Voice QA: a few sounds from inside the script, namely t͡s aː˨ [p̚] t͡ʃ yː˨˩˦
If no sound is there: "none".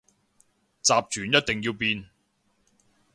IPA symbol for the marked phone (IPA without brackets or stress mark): p̚